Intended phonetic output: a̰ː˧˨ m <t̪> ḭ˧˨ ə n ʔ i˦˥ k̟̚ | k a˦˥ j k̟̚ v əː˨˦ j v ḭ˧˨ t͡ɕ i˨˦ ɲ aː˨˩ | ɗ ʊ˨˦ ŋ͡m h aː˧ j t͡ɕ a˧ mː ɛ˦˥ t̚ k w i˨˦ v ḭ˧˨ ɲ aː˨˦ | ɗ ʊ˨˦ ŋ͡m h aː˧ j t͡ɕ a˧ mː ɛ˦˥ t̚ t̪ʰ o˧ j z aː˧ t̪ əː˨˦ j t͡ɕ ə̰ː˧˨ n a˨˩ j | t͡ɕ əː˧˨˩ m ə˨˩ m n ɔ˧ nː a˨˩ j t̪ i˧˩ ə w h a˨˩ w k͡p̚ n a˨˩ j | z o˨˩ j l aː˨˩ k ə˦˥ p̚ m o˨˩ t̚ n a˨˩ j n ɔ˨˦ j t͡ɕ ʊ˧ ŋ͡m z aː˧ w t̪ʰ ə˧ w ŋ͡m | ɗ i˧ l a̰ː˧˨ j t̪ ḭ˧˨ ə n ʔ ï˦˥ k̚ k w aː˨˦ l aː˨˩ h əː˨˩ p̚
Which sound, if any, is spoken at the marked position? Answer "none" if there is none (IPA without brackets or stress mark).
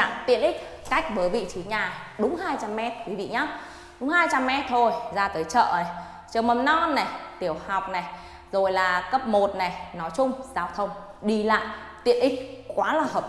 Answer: t̪